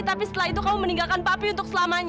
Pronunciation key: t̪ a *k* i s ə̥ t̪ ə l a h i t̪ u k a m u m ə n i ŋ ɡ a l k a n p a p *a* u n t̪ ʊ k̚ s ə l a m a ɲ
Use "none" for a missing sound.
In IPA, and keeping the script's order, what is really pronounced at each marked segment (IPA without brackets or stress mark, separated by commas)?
p, i